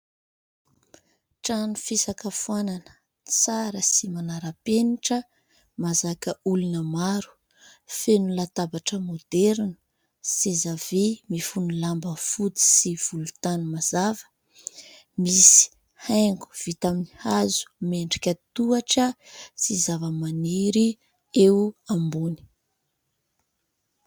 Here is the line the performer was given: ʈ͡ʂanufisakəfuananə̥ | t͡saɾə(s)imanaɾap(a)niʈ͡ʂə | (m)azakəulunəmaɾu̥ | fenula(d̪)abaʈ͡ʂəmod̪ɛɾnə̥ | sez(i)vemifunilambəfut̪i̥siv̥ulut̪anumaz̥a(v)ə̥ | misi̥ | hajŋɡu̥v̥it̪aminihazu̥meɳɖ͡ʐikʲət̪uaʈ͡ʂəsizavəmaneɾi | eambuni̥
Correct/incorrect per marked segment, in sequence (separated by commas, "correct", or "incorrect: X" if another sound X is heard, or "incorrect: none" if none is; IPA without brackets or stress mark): correct, incorrect: e, correct, incorrect: t̪, incorrect: a, correct